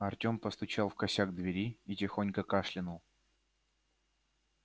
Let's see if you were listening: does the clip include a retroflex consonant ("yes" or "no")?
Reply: yes